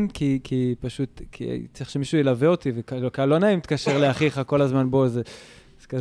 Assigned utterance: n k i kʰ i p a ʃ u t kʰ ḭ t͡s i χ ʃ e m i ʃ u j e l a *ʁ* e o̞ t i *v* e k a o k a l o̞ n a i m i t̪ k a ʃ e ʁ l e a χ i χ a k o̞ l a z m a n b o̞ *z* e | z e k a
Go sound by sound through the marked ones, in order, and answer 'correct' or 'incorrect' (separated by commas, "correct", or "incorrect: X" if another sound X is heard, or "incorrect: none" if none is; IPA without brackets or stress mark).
incorrect: v, correct, correct